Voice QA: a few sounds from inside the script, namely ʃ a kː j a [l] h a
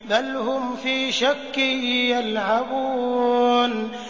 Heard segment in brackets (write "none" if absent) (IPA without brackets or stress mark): l